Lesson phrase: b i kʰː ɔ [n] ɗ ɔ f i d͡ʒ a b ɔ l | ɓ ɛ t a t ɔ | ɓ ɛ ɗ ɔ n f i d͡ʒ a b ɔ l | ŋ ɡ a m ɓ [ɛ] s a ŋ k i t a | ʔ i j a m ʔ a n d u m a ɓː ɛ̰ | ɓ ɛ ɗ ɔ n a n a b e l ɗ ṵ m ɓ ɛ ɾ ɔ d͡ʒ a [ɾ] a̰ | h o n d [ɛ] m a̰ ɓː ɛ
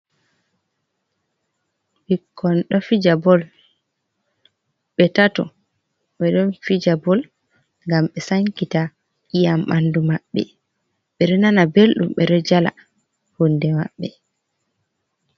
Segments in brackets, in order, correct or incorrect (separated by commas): correct, correct, incorrect, correct